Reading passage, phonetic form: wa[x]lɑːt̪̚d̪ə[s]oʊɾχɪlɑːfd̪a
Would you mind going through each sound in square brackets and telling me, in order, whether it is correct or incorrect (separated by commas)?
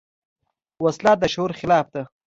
incorrect, incorrect